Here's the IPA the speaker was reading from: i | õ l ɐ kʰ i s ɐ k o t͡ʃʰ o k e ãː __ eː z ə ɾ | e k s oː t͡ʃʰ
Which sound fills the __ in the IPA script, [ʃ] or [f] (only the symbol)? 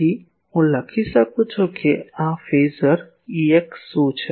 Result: f